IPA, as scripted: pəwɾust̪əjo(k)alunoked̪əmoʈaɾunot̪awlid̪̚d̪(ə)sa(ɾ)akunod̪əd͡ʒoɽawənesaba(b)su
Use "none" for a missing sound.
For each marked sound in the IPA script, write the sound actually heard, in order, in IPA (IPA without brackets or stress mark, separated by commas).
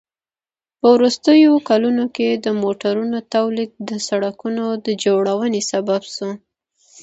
k, ə, ɽ, b